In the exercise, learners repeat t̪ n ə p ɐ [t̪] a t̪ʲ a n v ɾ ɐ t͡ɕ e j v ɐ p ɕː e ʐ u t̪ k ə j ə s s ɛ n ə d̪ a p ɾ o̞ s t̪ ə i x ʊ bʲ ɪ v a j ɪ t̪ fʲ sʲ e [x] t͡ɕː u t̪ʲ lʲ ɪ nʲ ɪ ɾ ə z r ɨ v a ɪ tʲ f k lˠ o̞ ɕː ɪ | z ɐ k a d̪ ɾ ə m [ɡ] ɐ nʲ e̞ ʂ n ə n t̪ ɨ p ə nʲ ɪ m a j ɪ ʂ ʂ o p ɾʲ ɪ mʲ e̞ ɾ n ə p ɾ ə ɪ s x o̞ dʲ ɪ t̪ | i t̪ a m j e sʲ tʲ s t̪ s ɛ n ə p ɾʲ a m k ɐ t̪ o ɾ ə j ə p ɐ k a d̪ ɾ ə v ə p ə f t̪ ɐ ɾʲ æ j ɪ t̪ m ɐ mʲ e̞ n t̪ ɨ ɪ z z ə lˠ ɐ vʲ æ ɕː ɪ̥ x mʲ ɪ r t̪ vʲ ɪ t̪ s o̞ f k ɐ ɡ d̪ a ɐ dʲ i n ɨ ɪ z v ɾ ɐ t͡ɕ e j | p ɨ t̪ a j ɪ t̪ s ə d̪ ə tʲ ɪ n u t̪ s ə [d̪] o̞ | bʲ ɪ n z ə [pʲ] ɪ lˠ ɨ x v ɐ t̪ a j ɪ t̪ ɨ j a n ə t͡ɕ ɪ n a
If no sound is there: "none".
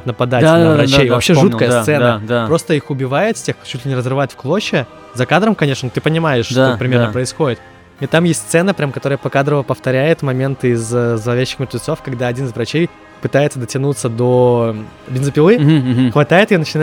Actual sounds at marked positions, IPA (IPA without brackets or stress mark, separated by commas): d̪, x, k, d̪, pʲ